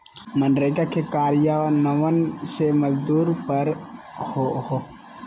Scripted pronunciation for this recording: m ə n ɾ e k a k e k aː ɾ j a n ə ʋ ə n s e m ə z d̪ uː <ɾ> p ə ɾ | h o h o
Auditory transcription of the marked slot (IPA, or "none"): ɾ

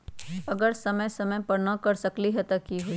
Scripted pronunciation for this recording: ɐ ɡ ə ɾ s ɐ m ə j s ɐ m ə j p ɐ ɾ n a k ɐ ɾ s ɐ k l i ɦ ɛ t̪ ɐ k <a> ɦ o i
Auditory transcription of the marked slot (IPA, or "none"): i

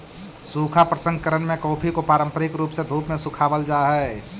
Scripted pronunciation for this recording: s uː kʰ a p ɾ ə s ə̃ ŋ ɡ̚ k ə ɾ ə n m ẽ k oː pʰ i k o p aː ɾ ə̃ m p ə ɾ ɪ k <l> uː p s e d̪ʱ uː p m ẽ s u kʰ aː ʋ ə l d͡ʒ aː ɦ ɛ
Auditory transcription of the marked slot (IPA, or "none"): ɾ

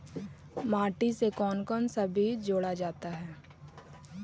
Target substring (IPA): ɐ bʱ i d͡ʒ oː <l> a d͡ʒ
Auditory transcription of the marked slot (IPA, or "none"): ɽ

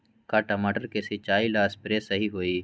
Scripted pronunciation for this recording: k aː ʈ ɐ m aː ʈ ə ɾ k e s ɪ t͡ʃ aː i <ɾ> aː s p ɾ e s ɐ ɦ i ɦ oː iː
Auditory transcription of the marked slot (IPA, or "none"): l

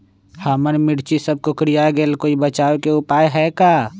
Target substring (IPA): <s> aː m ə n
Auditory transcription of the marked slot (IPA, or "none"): h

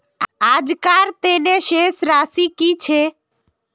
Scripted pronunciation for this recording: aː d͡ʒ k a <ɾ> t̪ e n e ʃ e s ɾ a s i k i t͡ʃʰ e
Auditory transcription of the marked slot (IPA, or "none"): ɾ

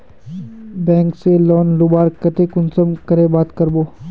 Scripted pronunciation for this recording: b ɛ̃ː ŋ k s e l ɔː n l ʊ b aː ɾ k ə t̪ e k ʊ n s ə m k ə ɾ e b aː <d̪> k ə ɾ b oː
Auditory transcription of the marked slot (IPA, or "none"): t̪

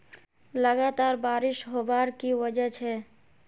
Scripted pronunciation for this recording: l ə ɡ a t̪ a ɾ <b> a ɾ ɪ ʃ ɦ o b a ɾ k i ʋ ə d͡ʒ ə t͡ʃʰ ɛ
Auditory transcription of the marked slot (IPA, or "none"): b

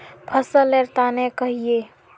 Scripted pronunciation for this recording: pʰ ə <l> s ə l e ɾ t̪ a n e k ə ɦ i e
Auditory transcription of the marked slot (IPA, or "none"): none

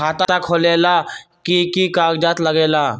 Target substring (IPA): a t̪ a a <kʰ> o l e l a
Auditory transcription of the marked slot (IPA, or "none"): kʰ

